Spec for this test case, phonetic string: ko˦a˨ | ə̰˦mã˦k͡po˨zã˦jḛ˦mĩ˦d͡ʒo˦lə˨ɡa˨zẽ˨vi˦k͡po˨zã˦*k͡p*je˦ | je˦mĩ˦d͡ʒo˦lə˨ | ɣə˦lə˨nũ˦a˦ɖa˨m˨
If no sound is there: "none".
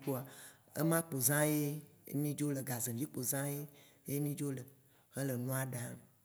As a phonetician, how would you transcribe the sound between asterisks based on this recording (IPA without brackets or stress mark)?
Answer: none